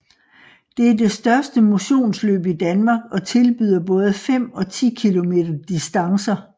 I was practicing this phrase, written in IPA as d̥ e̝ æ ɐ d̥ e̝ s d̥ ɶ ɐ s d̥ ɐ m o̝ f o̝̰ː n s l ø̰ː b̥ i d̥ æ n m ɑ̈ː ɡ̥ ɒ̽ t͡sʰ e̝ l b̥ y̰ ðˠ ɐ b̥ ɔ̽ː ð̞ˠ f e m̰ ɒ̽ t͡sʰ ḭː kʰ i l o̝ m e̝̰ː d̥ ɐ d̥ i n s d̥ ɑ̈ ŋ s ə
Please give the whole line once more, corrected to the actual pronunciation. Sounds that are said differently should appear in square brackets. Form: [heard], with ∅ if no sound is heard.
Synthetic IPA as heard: d̥ e̝ æ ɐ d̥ e̝ s d̥ ɶ ɐ s d̥ [ə] m o̝ [ɕ] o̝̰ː n s l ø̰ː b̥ i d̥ æ n m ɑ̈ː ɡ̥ ɒ̽ t͡sʰ e̝ l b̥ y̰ ðˠ ɐ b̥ ɔ̽ː ð̞ˠ f e m̰ ɒ̽ t͡sʰ ḭː kʰ i l o̝ m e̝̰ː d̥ ɐ d̥ i [∅] s d̥ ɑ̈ ŋ s [ɐ]